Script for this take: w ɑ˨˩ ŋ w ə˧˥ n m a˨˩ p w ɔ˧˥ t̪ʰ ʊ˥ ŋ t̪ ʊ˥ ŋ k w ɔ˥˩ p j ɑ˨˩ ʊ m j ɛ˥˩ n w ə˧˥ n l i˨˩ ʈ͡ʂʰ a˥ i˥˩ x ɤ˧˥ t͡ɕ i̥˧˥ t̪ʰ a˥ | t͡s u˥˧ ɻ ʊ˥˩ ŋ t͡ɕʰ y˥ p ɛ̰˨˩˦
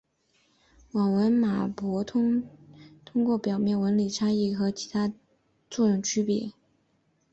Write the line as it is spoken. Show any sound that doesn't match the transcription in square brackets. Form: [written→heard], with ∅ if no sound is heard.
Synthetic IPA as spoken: w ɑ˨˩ ŋ w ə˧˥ n m a˨˩ p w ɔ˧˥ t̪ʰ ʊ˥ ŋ [t̪→t̪ʰ] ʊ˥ ŋ k w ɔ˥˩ p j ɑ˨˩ ʊ m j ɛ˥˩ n w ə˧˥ n l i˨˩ ʈ͡ʂʰ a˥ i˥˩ x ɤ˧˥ [t͡ɕ→t͡ɕʰ] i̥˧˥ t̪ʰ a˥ | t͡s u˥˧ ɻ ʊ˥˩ ŋ t͡ɕʰ y˥ p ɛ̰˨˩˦